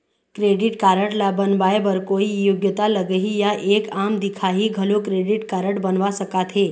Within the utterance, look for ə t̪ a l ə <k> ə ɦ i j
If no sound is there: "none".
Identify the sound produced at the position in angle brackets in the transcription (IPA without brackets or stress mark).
ɡ